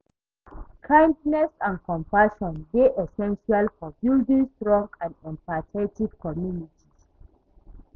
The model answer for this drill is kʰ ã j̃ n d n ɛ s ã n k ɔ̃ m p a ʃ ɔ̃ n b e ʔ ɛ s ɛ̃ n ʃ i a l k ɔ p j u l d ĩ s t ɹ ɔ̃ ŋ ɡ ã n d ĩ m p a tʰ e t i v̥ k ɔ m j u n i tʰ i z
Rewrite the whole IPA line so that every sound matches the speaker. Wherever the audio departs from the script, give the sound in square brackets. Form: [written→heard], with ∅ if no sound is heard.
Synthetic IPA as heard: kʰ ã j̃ n d n ɛ s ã n k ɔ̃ m p a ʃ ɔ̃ n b e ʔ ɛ s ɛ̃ n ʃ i a l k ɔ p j u l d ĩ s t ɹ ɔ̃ ŋ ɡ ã n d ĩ m p a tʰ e t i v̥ k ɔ m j u n i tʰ i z